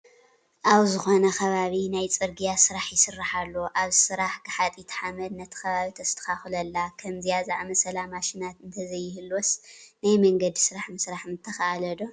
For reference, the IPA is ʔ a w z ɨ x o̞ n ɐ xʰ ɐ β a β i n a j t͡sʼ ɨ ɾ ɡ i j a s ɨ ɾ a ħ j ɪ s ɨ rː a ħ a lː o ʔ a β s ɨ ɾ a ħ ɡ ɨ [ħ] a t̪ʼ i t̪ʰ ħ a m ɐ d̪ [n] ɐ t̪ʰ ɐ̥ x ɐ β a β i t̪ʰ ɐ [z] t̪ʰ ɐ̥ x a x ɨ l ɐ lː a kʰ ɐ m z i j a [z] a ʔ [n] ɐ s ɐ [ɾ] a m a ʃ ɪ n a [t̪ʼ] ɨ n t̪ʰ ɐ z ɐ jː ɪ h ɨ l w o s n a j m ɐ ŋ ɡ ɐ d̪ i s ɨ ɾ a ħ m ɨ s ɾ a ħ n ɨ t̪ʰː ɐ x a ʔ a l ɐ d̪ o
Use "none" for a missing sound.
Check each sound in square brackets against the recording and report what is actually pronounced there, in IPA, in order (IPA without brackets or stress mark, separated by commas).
ħ, n, s, z, m, l, t̪